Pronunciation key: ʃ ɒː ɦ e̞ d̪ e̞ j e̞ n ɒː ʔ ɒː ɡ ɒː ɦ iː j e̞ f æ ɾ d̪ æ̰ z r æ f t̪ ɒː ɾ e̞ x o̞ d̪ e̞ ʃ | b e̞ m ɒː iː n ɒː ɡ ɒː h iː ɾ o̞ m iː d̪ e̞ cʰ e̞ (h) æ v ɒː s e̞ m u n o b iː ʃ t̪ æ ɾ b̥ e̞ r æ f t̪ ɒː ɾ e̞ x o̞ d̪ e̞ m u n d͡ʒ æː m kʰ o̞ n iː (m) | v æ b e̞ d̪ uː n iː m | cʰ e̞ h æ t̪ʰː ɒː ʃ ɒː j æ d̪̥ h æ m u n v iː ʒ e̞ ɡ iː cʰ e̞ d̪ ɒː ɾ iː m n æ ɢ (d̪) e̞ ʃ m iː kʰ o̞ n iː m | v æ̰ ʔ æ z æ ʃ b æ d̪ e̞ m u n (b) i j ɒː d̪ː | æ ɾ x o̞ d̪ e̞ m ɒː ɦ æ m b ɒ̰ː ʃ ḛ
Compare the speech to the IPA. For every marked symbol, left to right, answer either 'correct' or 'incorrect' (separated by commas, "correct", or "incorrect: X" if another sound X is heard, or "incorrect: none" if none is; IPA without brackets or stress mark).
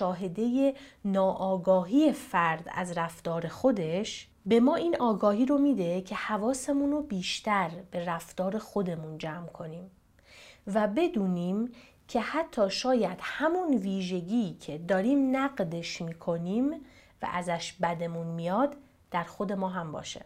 correct, correct, correct, incorrect: m